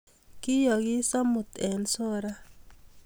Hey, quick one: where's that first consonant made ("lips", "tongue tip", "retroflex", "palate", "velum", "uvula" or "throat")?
velum